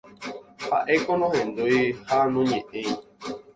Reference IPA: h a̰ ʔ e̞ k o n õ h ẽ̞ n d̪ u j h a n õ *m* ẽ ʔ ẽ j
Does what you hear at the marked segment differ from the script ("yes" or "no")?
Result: yes